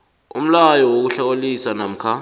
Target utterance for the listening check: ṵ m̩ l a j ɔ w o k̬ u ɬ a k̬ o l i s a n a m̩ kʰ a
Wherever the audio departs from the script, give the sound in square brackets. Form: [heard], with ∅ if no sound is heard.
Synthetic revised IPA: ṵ m̩ l a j ɔ w o k̬ u ɬ a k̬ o l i s a n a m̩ kʰ a